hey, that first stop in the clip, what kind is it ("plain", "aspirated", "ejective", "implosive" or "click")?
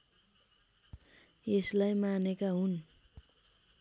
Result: plain